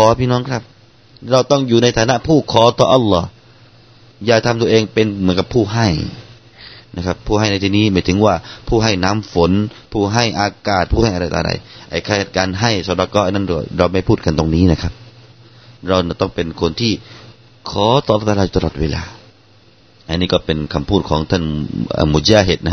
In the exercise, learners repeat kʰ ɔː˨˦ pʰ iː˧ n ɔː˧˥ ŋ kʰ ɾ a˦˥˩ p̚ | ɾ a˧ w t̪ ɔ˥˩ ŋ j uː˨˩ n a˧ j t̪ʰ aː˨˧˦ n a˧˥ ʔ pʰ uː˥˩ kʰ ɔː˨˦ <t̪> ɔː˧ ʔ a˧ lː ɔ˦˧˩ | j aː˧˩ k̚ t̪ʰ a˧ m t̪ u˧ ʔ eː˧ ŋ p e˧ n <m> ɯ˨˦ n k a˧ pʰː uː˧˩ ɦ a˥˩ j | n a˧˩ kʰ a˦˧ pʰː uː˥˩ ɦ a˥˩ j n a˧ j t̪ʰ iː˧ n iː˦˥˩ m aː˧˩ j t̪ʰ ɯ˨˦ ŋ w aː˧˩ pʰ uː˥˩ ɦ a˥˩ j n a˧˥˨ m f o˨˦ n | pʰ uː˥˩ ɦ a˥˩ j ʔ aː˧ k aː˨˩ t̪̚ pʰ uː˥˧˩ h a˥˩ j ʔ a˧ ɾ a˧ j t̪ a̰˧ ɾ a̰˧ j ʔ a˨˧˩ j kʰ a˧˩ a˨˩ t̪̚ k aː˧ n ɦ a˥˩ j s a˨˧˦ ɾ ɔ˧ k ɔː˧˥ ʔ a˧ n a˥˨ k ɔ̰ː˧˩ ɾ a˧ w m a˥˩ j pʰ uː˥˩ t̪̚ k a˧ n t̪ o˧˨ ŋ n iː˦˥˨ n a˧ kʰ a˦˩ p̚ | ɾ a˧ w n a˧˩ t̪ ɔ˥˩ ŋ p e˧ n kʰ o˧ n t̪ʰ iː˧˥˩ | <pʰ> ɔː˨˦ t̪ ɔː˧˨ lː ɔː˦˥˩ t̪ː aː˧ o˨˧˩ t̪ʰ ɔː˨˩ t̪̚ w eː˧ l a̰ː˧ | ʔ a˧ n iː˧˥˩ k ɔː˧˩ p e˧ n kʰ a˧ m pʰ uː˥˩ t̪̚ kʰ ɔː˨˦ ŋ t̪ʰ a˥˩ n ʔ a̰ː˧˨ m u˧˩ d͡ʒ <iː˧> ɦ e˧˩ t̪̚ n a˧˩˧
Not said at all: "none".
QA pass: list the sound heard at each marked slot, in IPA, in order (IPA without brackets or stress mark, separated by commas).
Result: t̪, m, kʰ, aː˧